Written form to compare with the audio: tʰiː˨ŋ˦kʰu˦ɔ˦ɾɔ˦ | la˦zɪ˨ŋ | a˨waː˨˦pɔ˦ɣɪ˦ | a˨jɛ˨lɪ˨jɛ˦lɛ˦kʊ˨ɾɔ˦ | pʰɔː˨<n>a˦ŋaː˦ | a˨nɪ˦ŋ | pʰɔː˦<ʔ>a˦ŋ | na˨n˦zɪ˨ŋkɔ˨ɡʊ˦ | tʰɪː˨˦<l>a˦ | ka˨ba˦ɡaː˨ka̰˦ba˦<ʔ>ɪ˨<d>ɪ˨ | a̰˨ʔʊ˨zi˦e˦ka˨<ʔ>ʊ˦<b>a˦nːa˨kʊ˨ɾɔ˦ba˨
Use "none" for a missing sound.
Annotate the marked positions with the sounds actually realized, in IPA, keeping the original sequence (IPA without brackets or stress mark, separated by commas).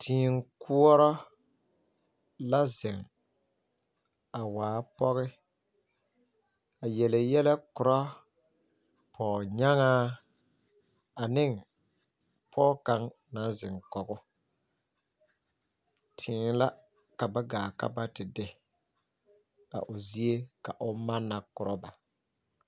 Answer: ɲ, k, l, t, d, ʔ, m